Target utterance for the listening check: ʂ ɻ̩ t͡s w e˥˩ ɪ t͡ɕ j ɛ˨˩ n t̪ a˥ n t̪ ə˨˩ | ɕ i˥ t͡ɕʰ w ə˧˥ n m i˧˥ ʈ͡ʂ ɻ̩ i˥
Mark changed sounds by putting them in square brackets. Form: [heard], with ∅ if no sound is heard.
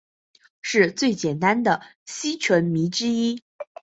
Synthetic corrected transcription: ʂ ɻ̩ t͡s w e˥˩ ɪ t͡ɕ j ɛ˨˩ n t̪ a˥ n [d̪] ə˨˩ | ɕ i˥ t͡ɕʰ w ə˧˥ n m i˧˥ ʈ͡ʂ ɻ̩ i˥